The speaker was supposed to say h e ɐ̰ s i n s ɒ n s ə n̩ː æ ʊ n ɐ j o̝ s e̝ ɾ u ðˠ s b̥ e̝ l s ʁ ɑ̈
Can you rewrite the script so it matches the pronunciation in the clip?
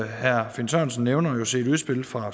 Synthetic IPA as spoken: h æ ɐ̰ f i n s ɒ n s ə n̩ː e ʊ n ɐ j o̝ s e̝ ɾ u ðˠ s b̥ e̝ l f ʁ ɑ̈